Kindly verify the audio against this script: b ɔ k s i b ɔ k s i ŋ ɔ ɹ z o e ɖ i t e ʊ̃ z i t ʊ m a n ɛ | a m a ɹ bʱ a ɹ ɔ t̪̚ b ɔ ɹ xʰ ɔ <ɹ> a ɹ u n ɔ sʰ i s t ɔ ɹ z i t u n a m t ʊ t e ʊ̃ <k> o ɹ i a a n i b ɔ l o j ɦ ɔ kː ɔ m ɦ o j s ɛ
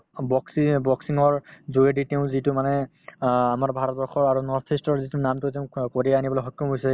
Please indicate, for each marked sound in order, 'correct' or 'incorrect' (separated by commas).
correct, correct